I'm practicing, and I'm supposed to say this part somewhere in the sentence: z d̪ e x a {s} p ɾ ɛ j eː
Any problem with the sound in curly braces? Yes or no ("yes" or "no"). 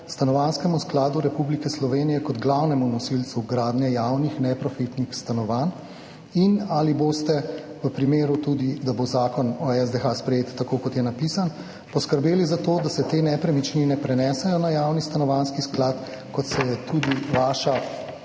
no